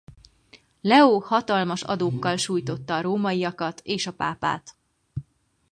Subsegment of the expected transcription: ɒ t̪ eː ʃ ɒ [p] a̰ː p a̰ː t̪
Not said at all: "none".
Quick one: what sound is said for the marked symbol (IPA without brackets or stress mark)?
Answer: p